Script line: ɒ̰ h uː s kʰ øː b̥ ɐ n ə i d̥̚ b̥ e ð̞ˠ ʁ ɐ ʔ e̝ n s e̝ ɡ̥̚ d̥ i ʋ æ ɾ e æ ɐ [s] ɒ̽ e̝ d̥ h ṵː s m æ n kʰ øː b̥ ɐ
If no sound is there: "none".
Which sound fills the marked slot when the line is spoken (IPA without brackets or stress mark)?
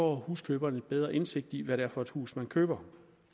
f